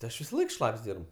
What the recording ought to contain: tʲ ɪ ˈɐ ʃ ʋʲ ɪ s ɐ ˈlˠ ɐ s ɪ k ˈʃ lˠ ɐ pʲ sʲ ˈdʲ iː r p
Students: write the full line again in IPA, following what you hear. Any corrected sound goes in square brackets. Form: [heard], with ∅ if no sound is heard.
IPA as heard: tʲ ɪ ˈɐ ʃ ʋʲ ɪ s ɐ ˈlˠ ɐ [∅] ɪ k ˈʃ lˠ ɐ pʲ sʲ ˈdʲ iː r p